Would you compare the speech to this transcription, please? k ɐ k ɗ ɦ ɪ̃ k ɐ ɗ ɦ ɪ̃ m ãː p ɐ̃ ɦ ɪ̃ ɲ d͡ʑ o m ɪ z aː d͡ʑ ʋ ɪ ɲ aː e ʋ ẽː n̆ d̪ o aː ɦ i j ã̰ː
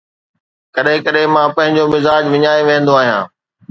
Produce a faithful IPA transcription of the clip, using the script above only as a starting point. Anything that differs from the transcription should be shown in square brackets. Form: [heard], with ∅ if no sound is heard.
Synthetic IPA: k ɐ [∅] ɗ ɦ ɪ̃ k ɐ ɗ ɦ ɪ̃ m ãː p ɐ̃ ɦ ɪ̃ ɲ d͡ʑ o m ɪ z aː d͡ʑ ʋ ɪ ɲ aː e ʋ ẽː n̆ d̪ o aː ɦ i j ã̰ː